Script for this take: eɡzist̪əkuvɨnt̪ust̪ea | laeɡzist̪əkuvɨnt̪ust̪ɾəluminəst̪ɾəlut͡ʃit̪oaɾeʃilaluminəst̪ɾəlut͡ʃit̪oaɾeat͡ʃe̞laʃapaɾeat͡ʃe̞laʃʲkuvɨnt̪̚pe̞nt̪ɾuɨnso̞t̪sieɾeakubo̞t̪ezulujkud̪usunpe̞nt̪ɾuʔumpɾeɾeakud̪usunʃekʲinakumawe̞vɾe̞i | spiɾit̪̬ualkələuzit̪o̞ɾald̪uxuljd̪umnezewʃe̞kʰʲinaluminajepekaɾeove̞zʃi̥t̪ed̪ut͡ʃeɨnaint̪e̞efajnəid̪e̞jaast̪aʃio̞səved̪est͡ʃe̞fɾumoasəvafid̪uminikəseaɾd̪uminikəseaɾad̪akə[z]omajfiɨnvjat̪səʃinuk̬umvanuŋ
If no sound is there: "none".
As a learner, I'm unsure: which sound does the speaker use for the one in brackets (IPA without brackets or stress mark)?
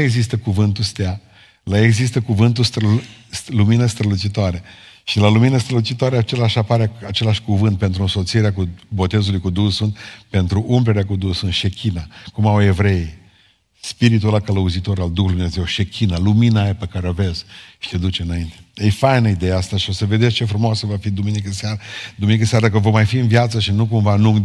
v